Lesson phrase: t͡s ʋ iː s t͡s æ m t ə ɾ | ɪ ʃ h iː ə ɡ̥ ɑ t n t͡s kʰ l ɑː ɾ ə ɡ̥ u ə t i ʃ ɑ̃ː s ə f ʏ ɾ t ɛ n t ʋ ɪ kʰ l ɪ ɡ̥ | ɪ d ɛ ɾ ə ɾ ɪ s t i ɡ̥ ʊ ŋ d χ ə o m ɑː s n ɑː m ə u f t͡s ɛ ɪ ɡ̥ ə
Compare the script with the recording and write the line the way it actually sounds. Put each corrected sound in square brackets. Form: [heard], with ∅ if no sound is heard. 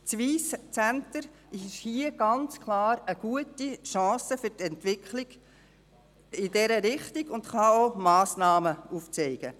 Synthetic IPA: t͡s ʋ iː s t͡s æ [n] t ə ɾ | ɪ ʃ h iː ə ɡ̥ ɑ [∅] n t͡s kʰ l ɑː ɾ ə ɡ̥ u ə t i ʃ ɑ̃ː s ə f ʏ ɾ t ɛ n t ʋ ɪ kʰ l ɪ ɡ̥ | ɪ d ɛ ɾ ə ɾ ɪ [χ] t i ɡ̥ ʊ [n] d χ [ɑ] o m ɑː s n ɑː m ə u f t͡s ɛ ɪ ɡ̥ ə

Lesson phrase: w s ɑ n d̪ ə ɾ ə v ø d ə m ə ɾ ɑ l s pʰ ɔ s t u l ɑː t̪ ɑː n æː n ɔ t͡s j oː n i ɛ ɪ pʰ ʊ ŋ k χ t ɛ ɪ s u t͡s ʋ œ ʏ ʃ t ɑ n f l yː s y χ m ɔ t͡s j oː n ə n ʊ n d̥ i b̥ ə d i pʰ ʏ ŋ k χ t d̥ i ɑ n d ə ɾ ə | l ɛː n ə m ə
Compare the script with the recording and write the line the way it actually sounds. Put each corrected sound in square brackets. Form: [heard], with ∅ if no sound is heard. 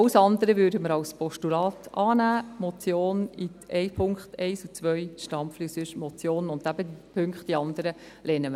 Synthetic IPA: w s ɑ n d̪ ə ɾ ə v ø d ə m ə ɾ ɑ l s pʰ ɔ [ʃ] t u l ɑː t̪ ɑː n æː [m] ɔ t͡s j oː n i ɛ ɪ pʰ ʊ ŋ k χ t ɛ ɪ s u t͡s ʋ œ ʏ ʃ t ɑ [m] f l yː s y [ʃ] m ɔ t͡s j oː n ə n ʊ n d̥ [æ] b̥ ə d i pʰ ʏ ŋ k χ t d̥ i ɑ n d ə ɾ ə | l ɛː n ə m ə

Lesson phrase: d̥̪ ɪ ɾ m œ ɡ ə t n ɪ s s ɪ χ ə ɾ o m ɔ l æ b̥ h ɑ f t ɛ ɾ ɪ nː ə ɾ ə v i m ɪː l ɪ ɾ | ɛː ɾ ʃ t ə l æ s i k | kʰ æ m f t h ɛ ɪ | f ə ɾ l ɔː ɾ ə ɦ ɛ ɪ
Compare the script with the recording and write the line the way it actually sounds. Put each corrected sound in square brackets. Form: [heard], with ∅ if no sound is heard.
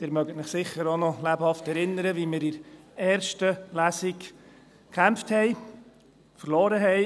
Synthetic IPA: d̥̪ ɪ ɾ m œ ɡ ə t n ɪ [χ] s ɪ χ ə ɾ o [n] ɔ l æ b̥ h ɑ f t ɛ ɾ ɪ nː ə ɾ ə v i m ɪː [ɾ] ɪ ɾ | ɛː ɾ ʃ t ə l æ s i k | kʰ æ m f t h ɛ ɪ | f ə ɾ l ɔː ɾ ə ɦ ɛ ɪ

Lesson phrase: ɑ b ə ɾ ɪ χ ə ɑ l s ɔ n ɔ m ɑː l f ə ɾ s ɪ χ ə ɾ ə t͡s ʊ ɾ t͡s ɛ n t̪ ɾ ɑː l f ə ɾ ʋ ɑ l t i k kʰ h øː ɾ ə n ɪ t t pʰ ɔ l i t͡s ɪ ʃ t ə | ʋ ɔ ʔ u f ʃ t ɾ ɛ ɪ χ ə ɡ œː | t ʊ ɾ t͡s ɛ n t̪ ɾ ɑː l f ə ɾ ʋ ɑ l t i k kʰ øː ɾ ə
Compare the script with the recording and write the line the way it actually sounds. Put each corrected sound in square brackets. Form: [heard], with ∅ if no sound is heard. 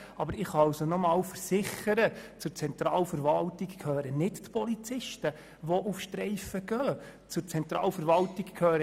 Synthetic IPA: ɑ b ə ɾ ɪ χ [ɑ] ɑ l s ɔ n ɔ m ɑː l f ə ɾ s ɪ χ ə ɾ ə t͡s ʊ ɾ t͡s ɛ n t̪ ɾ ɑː l f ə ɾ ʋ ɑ l t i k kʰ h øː ɾ ə n ɪ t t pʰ ɔ l i t͡s ɪ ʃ t ə | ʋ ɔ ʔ u f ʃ t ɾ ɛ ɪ [f] ə ɡ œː | [t͡s] ʊ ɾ t͡s ɛ n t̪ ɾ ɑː l f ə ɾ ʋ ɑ l t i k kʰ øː ɾ ə

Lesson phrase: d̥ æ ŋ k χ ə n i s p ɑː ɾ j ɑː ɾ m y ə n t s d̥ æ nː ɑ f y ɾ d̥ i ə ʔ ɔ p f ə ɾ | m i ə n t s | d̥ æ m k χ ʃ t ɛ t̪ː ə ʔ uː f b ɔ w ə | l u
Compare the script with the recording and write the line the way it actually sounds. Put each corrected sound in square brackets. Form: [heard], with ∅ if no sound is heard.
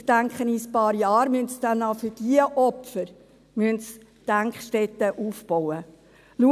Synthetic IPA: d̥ æ ŋ k χ ə n i s p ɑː ɾ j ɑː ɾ m y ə n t s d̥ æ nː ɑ f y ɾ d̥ i ə ʔ ɔ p f ə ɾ | m [y] ə n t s | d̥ æ [ŋ] k χ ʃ t ɛ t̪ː ə ʔ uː f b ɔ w ə | l u

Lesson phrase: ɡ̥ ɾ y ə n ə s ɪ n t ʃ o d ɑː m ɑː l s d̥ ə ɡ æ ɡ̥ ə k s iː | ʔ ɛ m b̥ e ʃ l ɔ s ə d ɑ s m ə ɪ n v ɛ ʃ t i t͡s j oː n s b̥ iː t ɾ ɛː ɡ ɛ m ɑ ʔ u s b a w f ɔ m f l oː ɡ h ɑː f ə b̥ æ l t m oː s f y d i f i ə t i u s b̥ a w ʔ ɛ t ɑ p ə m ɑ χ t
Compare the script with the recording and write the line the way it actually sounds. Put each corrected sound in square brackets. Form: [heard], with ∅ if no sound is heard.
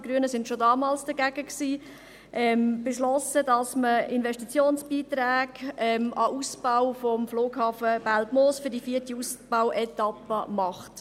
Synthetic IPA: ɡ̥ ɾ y ə n ə s ɪ n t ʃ o d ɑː m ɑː l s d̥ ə ɡ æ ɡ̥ ə k s iː | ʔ ɛ m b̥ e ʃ l ɔ s ə d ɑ s m ə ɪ n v ɛ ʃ t i t͡s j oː n s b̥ iː t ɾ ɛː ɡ ɛ m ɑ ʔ u s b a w f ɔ m f l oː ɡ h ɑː f ə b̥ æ l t m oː s f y d i f i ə t i u s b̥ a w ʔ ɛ t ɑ p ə m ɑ χ t

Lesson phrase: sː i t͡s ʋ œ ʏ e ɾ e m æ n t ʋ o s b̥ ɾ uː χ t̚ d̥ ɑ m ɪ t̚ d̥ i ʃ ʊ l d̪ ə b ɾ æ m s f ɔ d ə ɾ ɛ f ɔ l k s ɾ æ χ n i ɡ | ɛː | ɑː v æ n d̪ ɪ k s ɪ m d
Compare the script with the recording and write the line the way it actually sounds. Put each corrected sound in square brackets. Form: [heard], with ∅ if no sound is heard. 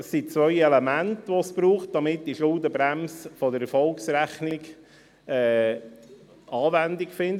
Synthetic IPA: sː i t͡s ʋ œ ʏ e [l] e m æ n t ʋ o s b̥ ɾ uː χ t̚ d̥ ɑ m ɪ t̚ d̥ i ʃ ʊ l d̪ ə b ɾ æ m s f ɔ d ə ɾ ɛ f ɔ l k s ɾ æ χ n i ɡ | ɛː | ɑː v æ n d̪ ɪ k [f] ɪ [n] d

